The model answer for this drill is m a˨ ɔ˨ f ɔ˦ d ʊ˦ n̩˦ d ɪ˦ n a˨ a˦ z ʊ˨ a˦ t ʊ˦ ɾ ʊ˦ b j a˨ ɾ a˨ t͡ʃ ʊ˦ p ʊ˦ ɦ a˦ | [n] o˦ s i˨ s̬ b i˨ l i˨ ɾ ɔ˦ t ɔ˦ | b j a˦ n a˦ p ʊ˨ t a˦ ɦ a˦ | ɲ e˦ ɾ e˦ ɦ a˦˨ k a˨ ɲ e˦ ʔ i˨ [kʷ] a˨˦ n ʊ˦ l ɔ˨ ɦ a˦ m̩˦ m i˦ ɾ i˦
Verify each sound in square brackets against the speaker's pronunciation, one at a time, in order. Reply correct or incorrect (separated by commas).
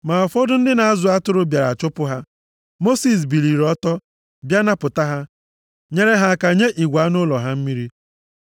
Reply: incorrect, incorrect